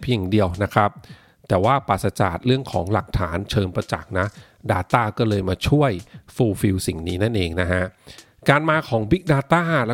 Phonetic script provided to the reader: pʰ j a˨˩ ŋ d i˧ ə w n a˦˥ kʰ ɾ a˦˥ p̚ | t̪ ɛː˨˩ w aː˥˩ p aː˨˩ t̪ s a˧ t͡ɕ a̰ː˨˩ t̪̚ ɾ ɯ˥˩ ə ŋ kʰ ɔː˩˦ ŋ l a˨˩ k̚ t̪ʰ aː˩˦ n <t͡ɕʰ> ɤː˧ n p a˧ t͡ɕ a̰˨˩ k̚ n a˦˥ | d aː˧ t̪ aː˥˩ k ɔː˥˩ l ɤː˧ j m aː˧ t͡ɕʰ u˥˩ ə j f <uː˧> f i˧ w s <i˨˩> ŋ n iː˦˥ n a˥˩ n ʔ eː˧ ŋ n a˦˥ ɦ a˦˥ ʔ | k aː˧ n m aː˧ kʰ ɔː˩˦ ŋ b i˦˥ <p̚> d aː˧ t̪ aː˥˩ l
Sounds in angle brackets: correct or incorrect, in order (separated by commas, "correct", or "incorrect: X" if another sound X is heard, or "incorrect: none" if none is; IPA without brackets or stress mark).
correct, correct, correct, incorrect: k̚